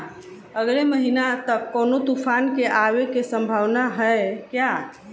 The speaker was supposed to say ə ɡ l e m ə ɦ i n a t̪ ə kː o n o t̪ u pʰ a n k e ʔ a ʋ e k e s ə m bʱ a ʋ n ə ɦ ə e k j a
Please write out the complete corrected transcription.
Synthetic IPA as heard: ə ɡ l e m ə ɦ i n a t̪ ə kː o n o t̪ u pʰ a n k e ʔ a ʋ e k e s ə m bʱ a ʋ n a ɦ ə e k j a